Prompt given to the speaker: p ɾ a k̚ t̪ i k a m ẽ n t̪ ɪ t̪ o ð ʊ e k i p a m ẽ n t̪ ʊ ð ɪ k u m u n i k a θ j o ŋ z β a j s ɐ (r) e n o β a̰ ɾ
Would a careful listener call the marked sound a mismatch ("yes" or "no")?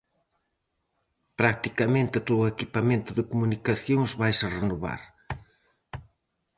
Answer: no